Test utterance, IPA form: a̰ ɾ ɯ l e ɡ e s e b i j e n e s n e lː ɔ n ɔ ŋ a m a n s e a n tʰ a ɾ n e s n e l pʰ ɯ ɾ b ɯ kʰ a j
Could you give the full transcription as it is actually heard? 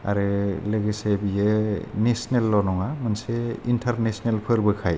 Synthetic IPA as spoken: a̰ ɾ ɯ l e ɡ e s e b i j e n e s n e lː ɔ n ɔ ŋ a m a n s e i n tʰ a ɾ n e s n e l pʰ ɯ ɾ b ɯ kʰ a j